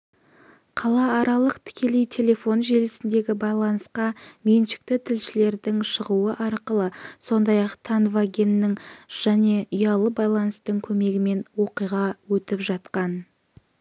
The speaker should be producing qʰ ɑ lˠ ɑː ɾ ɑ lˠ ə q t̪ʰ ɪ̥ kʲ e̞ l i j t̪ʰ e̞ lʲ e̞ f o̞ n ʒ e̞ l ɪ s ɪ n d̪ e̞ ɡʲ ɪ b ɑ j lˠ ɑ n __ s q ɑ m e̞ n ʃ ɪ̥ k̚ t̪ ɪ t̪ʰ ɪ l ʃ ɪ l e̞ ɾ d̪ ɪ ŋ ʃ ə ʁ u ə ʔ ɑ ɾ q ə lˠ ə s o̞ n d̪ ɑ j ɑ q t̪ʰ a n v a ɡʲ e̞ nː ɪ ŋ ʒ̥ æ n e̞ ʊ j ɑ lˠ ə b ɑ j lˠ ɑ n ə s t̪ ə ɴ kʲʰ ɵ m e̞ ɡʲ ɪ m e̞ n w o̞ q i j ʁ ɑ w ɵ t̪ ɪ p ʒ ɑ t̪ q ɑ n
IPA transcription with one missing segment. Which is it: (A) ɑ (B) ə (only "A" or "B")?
B